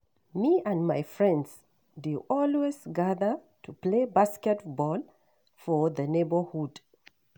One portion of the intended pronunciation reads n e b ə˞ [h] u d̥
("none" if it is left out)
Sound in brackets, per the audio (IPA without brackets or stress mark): h